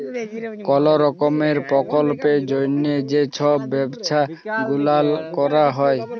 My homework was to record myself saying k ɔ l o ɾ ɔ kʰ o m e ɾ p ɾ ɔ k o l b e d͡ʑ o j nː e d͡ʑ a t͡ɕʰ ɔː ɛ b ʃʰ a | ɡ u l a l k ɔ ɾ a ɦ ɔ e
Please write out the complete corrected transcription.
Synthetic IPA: k ɔ l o ɾ ɔ k o m e ɾ p ɾ ɔ k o l p e d͡ʑ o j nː e d͡ʑ e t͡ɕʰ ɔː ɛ b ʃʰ a | ɡ u l a l k ɔ ɾ a ɦ ɔ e